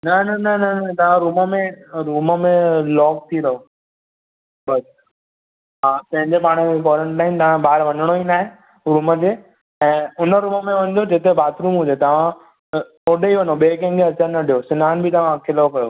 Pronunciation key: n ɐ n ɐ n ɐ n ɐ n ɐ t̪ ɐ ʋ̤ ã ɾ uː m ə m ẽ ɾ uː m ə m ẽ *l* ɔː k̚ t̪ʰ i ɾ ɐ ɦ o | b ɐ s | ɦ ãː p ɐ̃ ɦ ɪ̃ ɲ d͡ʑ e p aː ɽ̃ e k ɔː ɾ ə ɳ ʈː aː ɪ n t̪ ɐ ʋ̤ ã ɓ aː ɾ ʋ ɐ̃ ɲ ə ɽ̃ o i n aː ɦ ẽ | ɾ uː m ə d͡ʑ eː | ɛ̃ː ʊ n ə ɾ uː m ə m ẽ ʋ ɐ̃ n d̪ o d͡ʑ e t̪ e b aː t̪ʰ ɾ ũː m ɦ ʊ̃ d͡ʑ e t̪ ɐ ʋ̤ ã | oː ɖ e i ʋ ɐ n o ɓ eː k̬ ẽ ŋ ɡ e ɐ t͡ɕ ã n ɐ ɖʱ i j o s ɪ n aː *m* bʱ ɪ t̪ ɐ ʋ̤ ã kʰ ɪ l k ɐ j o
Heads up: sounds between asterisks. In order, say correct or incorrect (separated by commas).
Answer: correct, incorrect